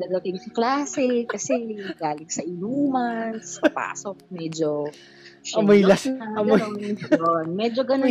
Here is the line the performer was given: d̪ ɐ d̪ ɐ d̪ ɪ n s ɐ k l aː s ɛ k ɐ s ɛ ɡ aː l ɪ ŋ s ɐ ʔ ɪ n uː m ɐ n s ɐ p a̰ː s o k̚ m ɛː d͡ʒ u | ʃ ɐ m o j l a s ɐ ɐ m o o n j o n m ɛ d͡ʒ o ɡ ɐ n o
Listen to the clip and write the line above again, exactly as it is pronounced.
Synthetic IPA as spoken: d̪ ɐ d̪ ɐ t̪ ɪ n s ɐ k l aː s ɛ k ɐ s ɛ ɡ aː l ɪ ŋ s ɐ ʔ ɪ n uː m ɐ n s ɐ p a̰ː s o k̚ m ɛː d͡ʒ o | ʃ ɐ m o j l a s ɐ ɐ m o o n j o n m ɛ d͡ʒ o ɡ ɐ n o